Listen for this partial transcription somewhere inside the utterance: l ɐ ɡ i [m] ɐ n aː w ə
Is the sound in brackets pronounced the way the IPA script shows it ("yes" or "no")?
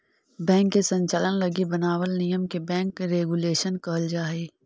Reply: no